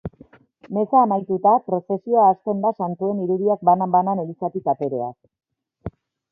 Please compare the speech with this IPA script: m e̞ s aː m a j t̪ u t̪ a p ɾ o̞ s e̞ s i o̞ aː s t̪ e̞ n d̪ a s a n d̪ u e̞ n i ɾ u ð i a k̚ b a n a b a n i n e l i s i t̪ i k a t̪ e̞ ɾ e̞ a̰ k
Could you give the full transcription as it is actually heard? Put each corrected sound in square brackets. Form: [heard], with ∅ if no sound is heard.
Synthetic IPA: m e̞ s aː m a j t̪ u t̪ a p ɾ o̞ s e̞ s i o̞ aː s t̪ e̞ n d̪ a s a n [t̪] u e̞ n i ɾ u ð i a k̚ b a n a b a n [a] n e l i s [a] t̪ i k a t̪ e̞ ɾ e̞ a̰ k